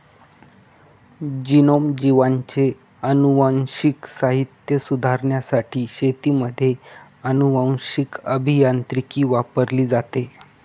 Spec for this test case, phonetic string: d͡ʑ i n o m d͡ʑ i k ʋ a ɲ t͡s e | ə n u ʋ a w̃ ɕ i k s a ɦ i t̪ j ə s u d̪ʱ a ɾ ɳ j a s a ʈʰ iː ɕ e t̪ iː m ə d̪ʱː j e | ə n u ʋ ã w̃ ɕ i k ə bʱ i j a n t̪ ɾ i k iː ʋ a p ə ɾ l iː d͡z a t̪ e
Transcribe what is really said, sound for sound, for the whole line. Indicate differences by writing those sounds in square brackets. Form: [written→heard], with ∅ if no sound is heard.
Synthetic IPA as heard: d͡ʑ i n o m d͡ʑ i [k→∅] ʋ a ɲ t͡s e | ə n u ʋ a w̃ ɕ i k s a ɦ i t̪ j ə s u d̪ʱ a ɾ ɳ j a s a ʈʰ iː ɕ e t̪ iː m ə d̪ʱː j e | ə n u ʋ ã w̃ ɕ i k ə bʱ i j a n t̪ ɾ i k iː ʋ a p ə ɾ l iː d͡z a t̪ e

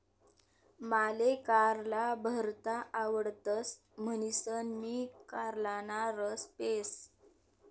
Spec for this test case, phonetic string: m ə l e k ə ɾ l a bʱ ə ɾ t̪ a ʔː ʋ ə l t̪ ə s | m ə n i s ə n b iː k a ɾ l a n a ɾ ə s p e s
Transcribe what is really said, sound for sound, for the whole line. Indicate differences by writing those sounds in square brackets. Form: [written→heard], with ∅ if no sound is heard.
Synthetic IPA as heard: m [ə→a] l e k [ə→a] ɾ l a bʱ ə ɾ t̪ a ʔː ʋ ə [l→ɽ] t̪ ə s | m ə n i s ə n [b→m] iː k a ɾ l a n a ɾ ə s p e s

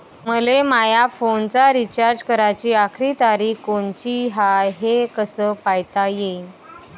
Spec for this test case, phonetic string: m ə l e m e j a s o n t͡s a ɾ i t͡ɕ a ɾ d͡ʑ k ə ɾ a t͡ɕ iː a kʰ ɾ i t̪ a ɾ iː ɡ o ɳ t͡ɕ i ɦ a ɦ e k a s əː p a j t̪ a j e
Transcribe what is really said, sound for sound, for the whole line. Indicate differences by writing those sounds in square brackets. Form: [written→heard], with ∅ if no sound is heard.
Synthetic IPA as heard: m ə l e m [e→a] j a [s→f] o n t͡s a ɾ i t͡ɕ a ɾ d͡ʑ k ə ɾ a t͡ɕ iː a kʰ ɾ i t̪ a ɾ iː [ɡ→k] o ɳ t͡ɕ i ɦ a ɦ e k [a→ə] s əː p a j t̪ a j e

